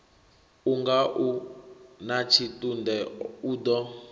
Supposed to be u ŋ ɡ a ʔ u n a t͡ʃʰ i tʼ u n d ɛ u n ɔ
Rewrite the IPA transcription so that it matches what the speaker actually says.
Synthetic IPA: u ŋ ɡ a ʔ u n a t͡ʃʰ i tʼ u n d ɛ u d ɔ